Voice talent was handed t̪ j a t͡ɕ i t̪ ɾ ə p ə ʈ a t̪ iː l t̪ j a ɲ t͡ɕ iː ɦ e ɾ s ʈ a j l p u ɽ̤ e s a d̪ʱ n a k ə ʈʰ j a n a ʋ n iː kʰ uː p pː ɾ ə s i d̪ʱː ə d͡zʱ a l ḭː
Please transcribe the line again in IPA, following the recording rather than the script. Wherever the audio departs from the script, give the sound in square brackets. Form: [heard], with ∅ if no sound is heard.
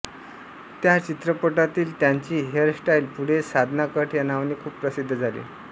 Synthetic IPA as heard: t̪ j a t͡ɕ i t̪ ɾ ə p ə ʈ a t̪ iː l t̪ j a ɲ t͡ɕ iː ɦ e ɾ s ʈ a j l p u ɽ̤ e s a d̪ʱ n a k ə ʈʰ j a n a ʋ n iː kʰ uː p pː ɾ ə s i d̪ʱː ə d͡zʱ a l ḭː